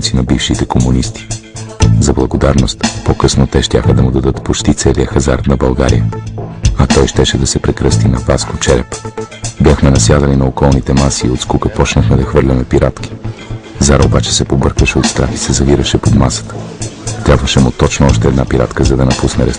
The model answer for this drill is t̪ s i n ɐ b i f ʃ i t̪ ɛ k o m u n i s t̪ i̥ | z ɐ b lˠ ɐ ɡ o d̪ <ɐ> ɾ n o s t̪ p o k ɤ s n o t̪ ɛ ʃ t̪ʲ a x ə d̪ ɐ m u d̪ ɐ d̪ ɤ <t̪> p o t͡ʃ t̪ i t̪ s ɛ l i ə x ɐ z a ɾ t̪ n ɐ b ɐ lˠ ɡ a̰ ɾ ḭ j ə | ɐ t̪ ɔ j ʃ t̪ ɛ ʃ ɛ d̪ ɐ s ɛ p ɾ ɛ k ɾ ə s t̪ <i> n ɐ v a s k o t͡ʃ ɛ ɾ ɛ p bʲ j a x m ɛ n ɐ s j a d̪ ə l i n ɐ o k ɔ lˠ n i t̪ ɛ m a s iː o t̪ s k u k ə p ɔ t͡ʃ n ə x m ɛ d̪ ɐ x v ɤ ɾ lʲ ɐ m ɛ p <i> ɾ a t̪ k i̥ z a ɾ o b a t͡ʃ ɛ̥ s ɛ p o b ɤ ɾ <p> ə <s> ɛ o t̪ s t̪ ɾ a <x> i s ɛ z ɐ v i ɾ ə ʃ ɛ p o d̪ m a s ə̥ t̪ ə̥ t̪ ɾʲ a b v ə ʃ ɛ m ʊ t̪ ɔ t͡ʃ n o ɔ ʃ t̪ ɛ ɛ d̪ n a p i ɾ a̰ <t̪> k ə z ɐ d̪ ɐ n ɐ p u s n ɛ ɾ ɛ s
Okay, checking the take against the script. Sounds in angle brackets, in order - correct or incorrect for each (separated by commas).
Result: incorrect, correct, correct, correct, incorrect, incorrect, correct, correct